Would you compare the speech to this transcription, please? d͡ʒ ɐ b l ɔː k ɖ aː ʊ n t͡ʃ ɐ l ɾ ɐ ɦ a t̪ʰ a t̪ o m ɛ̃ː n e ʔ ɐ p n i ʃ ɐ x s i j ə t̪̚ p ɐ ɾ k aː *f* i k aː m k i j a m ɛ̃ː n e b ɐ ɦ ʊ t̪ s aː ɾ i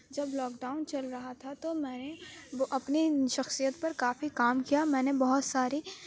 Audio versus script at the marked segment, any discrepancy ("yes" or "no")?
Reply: no